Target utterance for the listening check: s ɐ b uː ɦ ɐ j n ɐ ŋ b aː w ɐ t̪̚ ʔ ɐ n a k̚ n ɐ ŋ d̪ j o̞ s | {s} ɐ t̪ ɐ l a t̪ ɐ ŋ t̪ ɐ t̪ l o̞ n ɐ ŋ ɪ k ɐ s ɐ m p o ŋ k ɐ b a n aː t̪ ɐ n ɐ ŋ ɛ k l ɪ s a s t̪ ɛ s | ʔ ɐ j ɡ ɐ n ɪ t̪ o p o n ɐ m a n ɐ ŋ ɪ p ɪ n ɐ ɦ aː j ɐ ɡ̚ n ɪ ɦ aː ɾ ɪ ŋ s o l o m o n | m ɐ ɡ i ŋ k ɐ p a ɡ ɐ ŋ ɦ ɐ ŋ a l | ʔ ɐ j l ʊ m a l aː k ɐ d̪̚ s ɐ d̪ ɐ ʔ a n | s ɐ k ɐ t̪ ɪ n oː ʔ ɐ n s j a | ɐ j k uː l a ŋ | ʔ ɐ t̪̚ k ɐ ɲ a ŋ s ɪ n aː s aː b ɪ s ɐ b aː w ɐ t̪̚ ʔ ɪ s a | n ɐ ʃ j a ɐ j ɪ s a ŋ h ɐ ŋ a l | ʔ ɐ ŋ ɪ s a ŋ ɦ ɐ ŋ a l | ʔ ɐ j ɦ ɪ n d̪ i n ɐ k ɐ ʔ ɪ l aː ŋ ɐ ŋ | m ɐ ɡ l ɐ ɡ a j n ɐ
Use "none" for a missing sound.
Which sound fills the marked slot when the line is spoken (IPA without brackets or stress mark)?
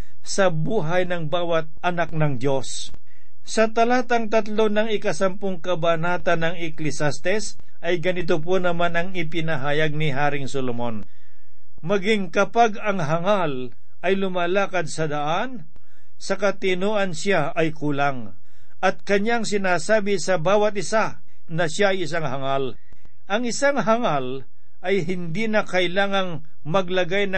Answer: s